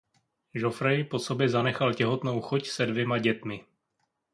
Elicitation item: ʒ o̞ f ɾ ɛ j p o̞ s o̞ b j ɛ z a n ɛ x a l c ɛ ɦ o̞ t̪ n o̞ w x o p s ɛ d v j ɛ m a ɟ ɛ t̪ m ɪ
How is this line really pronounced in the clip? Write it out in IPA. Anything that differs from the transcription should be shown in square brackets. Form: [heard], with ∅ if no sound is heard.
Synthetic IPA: ʒ o̞ f ɾ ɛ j p o̞ s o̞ b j ɛ z a n ɛ x a l c ɛ ɦ o̞ t̪ n o̞ w x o [c] s ɛ d v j ɛ m a ɟ ɛ t̪ m ɪ